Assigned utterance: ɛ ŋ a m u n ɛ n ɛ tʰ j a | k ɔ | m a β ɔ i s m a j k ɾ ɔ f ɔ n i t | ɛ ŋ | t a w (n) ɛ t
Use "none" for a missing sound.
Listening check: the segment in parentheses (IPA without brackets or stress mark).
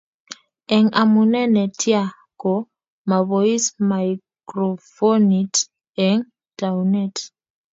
n